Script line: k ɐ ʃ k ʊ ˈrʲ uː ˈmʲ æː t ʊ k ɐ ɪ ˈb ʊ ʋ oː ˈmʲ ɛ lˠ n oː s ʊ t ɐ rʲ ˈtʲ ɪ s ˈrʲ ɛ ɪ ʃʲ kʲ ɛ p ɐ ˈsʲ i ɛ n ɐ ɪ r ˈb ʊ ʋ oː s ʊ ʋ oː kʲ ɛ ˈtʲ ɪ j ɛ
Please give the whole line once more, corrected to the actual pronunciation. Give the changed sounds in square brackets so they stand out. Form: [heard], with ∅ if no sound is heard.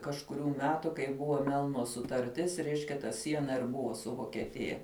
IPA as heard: k ɐ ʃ k ʊ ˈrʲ uː ˈmʲ æː t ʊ k ɐ ɪ ˈb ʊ ʋ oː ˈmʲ ɛ lˠ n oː s ʊ t ɐ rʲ ˈtʲ ɪ s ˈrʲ ɛ ɪ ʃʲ kʲ ɛ [t] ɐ ˈsʲ i ɛ n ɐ ɪ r ˈb ʊ ʋ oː s ʊ ʋ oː kʲ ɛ ˈtʲ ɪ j ɛ